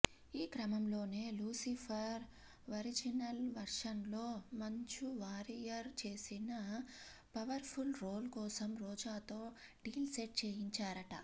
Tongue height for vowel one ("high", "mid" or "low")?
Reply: high